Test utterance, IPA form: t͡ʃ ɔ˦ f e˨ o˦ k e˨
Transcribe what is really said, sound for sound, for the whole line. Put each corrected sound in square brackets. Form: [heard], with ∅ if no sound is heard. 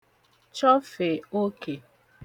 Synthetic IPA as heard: t͡ʃ ɔ˦ f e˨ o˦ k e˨